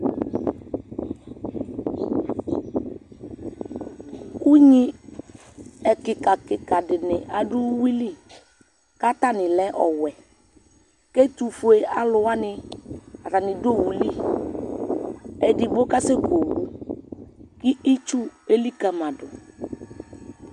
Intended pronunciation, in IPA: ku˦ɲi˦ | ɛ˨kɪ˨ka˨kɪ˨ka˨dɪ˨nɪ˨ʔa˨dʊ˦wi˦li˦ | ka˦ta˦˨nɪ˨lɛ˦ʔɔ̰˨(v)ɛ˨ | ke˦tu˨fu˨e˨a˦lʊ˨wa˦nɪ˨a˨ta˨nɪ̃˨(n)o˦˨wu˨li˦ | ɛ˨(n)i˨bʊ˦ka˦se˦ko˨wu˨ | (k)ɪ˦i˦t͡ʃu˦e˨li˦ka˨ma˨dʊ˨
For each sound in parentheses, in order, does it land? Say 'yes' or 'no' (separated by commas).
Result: no, no, no, yes